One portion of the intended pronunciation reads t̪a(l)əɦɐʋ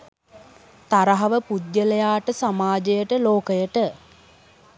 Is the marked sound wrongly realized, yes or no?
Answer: yes